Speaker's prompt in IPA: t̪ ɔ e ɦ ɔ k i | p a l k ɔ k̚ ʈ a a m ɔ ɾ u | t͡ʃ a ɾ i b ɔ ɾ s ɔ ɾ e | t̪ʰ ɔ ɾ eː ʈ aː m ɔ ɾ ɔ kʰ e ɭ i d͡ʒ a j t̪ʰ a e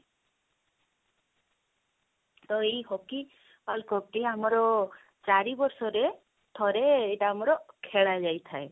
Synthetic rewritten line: t̪ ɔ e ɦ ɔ k i | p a l k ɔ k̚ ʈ i a m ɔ ɾ ɔ | t͡ʃ a ɾ i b ɔ ɾ s ɔ ɾ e | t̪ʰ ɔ ɾ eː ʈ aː m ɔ ɾ ɔ kʰ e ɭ a d͡ʒ a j t̪ʰ a e

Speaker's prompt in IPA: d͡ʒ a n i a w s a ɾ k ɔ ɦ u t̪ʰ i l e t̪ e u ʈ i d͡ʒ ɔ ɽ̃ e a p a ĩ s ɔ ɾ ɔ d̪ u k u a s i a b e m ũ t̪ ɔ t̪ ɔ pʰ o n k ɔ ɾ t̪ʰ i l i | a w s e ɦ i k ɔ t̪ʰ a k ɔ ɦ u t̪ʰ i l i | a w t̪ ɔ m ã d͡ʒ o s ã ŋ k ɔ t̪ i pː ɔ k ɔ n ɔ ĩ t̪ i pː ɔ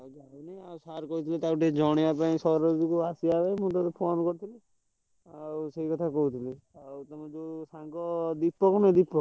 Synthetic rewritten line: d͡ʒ a n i a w s a ɾ k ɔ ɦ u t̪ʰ i l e t̪ a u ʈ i d͡ʒ ɔ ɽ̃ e a p a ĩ s ɔ ɾ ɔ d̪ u k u a s i a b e m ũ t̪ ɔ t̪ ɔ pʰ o n k ɔ ɾ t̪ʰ i l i | a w s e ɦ i k ɔ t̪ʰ a k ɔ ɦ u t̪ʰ i l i | a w t̪ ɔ m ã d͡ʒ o s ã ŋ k ɔ d̪ i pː ɔ k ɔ n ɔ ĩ d̪ i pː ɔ

